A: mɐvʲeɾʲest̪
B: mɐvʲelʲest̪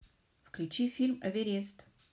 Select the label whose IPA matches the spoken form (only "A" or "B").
A